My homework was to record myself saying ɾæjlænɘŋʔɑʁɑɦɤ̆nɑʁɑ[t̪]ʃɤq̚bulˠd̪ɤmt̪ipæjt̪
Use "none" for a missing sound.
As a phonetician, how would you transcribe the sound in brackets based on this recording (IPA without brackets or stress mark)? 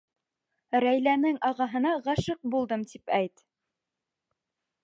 none